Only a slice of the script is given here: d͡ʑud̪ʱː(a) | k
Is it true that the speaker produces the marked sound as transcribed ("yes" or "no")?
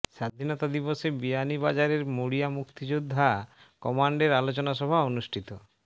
yes